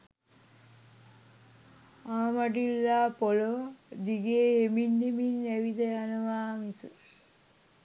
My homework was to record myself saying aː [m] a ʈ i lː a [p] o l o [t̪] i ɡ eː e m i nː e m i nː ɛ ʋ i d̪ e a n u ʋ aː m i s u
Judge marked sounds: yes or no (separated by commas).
yes, yes, no